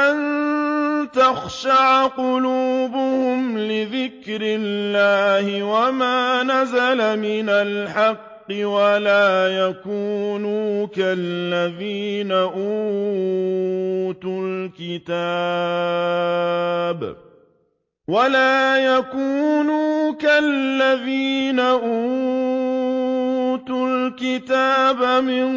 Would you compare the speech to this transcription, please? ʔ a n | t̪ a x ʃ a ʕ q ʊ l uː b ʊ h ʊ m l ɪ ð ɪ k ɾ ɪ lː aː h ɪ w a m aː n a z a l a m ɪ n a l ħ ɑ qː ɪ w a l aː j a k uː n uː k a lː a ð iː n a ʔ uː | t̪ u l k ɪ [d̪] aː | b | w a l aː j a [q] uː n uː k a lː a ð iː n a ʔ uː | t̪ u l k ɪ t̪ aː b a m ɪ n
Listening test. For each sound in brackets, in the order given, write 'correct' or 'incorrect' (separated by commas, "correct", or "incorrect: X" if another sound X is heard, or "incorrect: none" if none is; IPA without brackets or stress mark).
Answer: incorrect: t̪, incorrect: k